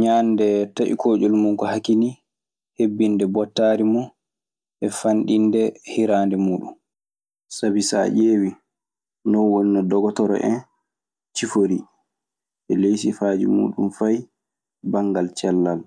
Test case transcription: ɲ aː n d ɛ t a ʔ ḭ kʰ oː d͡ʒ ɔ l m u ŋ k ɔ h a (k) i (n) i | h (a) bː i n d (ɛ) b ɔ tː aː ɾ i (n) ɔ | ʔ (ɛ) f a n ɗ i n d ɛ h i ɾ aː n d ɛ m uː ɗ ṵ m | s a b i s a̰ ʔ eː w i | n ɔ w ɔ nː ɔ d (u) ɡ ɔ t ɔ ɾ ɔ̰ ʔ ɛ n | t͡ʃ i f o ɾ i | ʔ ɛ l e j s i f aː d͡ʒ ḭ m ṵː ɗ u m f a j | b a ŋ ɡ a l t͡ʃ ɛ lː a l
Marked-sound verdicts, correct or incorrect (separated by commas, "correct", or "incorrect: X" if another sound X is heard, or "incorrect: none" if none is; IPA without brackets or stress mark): correct, correct, incorrect: e, correct, incorrect: m, correct, incorrect: ɔ